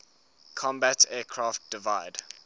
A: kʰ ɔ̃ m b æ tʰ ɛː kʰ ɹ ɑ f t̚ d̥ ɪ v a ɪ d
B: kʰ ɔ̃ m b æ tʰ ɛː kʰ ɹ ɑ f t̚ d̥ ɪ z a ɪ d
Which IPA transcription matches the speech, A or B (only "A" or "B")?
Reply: A